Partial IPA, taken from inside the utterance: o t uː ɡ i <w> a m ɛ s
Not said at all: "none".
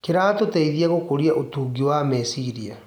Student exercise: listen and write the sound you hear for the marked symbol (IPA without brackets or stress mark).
w